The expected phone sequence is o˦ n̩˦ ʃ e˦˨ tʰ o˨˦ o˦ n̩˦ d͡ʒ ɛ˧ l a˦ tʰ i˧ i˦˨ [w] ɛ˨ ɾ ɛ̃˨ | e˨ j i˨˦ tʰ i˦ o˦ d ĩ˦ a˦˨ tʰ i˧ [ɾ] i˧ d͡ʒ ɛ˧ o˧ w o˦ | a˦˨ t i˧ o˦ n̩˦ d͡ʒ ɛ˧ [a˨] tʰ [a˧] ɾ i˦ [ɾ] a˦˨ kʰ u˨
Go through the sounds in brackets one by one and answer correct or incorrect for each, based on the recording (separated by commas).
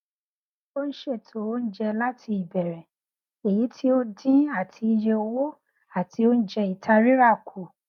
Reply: incorrect, incorrect, incorrect, correct, correct